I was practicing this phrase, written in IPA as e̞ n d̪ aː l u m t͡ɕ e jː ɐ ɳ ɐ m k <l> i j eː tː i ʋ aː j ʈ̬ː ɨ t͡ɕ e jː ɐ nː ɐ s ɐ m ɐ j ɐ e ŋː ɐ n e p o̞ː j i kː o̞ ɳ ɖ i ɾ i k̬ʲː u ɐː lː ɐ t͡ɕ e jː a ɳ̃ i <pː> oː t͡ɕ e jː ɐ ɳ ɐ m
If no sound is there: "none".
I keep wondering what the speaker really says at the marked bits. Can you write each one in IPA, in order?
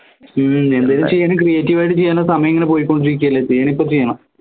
r, pː

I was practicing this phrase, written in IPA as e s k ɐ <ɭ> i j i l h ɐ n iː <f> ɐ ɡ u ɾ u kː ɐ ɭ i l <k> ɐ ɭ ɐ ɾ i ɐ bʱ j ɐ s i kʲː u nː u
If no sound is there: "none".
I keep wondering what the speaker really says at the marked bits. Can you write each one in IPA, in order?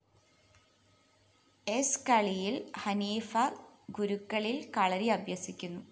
ɭ, f, k

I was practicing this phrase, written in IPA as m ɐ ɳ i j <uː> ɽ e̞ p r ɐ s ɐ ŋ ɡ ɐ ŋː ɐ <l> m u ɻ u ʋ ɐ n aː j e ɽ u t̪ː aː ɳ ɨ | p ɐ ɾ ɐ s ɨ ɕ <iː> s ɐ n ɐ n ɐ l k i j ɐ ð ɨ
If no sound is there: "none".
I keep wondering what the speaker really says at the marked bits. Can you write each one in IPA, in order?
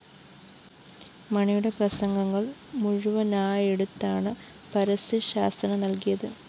u, ɭ, aː

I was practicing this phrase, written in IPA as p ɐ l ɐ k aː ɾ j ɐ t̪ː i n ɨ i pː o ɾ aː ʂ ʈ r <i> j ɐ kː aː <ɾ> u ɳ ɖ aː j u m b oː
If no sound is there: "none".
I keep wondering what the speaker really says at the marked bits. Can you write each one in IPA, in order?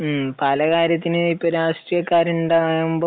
i, ɾ

